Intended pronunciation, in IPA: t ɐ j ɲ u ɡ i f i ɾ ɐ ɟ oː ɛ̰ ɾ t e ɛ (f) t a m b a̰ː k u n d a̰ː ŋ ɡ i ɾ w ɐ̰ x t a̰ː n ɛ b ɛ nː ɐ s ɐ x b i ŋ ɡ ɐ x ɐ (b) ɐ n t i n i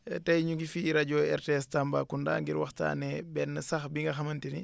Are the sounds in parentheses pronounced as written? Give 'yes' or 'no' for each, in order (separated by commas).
no, no